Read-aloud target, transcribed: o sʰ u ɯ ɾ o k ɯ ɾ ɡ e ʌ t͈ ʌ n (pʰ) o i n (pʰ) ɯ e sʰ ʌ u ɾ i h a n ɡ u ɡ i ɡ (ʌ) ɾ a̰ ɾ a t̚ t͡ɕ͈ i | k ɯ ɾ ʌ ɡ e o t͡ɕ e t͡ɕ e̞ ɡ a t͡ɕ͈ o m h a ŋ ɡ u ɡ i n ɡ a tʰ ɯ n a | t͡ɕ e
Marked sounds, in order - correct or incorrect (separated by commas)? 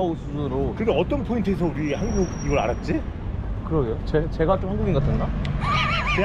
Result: correct, incorrect, correct